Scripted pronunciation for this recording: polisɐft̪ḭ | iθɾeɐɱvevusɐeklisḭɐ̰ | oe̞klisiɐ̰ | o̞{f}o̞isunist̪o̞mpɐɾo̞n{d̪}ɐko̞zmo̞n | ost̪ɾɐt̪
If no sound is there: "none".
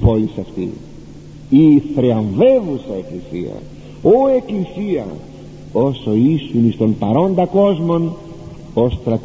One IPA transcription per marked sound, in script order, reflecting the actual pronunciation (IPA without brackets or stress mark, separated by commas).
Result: s, d̪